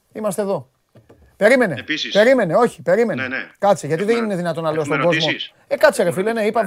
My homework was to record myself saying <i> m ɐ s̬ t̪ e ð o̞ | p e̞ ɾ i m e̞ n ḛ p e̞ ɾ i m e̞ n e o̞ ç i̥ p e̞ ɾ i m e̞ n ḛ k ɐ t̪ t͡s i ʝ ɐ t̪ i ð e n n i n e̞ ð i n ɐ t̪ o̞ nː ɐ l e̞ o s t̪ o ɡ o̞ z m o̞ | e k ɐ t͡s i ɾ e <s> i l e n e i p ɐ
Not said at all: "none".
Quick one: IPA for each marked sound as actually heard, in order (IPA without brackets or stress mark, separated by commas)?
i, f